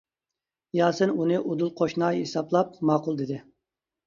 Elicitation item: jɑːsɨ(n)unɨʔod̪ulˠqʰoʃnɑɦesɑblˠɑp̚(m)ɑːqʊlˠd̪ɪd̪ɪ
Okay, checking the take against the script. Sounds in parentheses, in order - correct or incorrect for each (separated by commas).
correct, correct